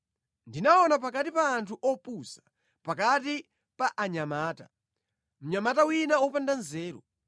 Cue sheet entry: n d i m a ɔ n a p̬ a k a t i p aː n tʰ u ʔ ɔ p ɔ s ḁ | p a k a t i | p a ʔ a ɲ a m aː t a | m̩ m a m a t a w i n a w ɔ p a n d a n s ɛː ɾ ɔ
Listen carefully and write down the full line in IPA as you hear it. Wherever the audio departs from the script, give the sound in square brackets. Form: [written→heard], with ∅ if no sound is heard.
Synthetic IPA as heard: n d i [m→n] a ɔ n a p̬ a k a t i p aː n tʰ u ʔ ɔ p [ɔ→u] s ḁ | p a k a t i | p a ʔ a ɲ a m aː t a | m̩ [m→ɲ] a m a t a w i n a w ɔ p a n d a n [s→z] ɛː ɾ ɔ